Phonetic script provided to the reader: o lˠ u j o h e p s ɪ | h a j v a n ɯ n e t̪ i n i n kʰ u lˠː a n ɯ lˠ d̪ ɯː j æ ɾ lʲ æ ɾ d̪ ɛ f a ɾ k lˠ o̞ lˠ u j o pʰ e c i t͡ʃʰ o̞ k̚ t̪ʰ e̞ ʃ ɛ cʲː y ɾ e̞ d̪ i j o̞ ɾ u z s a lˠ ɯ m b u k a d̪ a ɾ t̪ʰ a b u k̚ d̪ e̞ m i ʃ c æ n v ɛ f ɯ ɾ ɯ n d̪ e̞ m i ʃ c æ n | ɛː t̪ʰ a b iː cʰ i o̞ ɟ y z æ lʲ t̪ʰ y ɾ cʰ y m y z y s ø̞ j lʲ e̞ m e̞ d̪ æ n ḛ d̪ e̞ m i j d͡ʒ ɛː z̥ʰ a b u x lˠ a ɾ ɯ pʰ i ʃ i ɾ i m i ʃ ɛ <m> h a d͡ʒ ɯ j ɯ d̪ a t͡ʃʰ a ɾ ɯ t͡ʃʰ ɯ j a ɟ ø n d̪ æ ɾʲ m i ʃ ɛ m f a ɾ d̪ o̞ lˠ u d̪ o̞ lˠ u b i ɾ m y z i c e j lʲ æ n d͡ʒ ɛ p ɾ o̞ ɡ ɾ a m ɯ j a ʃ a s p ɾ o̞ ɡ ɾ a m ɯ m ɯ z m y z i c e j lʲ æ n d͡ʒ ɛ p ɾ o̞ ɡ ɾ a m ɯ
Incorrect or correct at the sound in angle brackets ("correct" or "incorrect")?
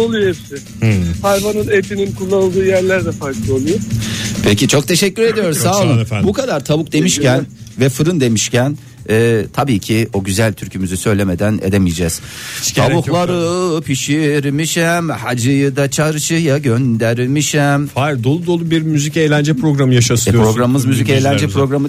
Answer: correct